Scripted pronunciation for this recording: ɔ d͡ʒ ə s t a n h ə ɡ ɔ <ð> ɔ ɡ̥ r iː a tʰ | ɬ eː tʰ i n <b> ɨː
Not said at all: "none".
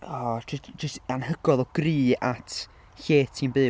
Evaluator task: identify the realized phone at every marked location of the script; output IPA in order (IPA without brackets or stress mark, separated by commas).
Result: ð, b